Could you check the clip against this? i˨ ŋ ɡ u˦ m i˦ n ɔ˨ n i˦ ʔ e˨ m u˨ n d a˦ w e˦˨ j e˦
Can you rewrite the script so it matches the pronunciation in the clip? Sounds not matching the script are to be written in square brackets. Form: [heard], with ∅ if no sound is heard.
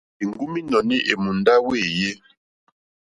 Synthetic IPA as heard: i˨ ŋ ɡ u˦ m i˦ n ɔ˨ n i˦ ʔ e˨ m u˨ n d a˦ w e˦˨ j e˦